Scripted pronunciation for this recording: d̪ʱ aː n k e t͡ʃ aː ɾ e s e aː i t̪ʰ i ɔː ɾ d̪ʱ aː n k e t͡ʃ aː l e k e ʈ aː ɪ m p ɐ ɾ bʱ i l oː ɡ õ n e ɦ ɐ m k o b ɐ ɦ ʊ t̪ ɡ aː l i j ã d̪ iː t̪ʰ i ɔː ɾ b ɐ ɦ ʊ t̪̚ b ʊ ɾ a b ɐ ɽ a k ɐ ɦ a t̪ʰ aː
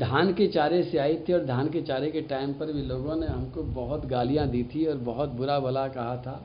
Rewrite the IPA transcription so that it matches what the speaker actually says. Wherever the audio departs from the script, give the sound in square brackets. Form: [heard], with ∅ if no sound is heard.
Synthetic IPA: d̪ʱ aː n k e t͡ʃ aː ɾ e s e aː i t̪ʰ i ɔː ɾ d̪ʱ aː n k e t͡ʃ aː [ɾ] e k e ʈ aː ɪ m p ɐ ɾ bʱ i l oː ɡ õ n e ɦ ɐ m k o b ɐ ɦ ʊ t̪ ɡ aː l i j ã d̪ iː t̪ʰ i ɔː ɾ b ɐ ɦ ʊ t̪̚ b ʊ ɾ a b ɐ [l] a k ɐ ɦ a t̪ʰ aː